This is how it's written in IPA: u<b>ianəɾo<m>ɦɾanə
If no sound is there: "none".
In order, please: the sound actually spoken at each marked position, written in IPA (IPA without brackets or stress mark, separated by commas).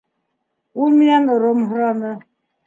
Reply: m, m